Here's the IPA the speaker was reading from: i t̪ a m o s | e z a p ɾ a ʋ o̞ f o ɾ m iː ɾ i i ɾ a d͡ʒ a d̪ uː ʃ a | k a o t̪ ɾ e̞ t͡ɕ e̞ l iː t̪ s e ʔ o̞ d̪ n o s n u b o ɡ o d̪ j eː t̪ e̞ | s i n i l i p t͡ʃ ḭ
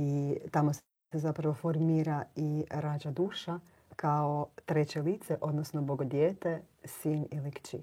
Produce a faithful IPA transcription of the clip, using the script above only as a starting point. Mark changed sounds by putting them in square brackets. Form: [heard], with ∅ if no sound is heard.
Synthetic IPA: i t̪ a m o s | e z a p ɾ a ʋ o̞ f o ɾ m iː ɾ [a] i ɾ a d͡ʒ a d̪ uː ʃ a | k a o t̪ ɾ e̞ t͡ɕ e̞ l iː t̪ s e ʔ o̞ d̪ n o s n [o] b o ɡ o d̪ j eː t̪ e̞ | s i n i l i [k] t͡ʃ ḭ